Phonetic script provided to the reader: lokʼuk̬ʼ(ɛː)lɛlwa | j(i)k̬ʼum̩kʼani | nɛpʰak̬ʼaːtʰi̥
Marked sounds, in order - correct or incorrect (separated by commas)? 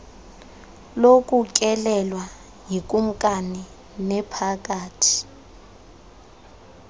incorrect, correct